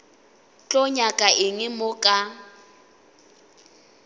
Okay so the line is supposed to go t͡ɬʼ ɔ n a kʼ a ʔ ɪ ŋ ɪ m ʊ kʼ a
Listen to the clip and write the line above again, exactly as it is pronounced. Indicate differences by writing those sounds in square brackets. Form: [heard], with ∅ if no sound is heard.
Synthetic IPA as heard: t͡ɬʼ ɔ [ɲ] a kʼ a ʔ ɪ ŋ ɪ m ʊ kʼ a